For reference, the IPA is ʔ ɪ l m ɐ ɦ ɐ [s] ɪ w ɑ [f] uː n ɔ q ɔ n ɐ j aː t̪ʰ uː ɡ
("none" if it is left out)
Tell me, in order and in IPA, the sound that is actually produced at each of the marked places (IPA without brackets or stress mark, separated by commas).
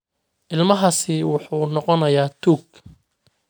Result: s, ħ